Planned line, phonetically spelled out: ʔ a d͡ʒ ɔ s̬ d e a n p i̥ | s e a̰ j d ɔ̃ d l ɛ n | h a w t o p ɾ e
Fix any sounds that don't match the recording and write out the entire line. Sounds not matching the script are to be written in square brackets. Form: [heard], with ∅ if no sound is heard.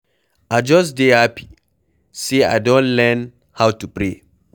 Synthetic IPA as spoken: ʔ a d͡ʒ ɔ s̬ d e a [∅] p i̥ | s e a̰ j d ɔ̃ [n] l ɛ n | h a w t [u] p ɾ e

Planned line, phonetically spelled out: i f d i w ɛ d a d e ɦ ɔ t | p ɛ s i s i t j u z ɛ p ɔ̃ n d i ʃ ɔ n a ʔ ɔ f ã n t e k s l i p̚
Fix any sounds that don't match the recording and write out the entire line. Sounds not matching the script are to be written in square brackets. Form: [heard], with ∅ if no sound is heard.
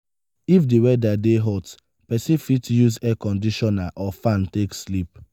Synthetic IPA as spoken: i f d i w ɛ d a d e ɦ ɔ t | p ɛ s i [f] i t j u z ɛ [k] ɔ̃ n d i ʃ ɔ n a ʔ ɔ f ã n t e k s l i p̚

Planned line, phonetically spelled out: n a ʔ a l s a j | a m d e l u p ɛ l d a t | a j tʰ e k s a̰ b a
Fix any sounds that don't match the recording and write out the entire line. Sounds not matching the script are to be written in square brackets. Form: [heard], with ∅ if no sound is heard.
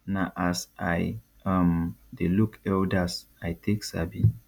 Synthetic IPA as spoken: n a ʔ a [∅] s a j | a m d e l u [k] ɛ l d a [s] | a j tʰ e k s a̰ b [i]

